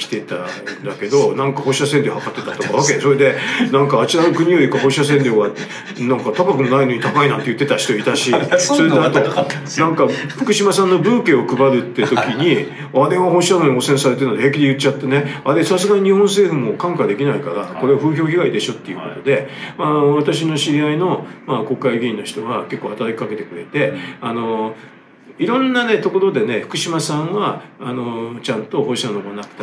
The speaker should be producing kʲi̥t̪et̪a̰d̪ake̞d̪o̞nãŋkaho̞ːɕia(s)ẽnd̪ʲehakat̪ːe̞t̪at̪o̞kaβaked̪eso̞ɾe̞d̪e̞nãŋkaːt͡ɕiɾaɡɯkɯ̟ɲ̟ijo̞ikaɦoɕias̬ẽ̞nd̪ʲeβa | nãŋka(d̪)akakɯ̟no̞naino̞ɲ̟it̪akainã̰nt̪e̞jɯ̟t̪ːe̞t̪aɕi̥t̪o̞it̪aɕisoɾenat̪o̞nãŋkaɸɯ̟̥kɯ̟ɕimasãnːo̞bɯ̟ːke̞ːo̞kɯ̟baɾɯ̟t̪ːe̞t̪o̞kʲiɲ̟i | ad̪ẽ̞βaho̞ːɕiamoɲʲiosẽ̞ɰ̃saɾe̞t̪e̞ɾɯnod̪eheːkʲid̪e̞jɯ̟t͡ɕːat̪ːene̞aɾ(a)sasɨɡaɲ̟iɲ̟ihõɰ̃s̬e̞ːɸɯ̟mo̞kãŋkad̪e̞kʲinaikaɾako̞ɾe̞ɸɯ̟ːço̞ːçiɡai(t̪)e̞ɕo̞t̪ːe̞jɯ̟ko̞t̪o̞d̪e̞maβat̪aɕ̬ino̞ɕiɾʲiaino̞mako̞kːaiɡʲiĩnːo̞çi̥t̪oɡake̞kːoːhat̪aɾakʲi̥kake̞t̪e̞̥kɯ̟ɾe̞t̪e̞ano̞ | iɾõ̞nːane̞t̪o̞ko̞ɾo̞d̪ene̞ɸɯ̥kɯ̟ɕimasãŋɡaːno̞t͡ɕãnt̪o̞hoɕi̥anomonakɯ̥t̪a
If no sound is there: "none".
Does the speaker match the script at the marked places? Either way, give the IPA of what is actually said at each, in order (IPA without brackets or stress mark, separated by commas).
s, t̪, e, d̪